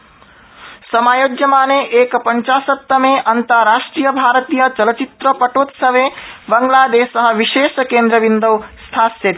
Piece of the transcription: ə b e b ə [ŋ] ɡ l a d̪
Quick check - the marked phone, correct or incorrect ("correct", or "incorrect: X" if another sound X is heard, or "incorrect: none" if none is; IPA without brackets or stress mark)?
correct